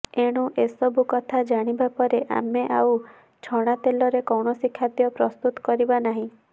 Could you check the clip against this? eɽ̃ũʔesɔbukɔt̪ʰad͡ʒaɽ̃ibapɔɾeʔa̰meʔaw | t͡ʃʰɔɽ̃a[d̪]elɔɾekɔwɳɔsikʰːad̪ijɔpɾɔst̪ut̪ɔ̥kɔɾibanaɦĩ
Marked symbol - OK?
no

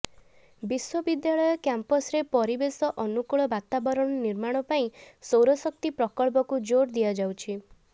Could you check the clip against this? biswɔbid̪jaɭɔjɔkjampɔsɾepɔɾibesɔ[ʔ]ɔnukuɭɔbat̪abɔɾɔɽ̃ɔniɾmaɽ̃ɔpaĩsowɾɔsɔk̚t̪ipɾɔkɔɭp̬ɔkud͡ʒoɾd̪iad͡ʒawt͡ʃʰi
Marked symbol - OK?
yes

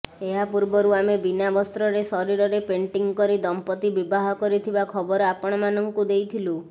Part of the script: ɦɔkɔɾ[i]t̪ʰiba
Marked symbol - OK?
yes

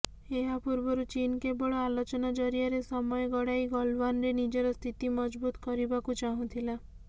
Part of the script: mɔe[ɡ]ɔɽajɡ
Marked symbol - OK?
yes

